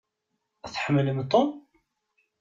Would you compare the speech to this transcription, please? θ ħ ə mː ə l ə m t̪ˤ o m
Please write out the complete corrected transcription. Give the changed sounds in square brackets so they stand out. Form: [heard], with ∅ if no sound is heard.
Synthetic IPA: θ ħ ə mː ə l ə m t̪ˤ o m